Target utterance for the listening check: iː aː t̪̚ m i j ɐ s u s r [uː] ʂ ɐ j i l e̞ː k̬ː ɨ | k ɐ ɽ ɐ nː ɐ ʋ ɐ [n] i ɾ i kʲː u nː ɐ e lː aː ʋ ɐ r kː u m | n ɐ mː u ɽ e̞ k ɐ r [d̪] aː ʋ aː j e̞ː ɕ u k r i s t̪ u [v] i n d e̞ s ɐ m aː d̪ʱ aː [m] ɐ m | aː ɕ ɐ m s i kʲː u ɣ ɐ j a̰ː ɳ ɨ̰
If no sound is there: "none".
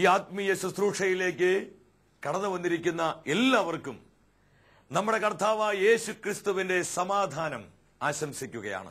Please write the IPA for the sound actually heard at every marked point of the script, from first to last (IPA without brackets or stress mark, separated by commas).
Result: uː, nː, t̪, ʋ, n